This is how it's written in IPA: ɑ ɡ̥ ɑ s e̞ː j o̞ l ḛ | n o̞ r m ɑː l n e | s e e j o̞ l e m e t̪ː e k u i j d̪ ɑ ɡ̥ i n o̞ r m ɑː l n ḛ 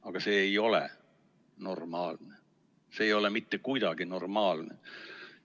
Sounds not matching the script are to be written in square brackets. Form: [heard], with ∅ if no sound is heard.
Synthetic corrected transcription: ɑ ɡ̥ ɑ s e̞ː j o̞ l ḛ | n o̞ r m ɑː l n e | s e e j o̞ l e m [i] t̪ː e k u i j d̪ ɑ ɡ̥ i n o̞ r m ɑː l n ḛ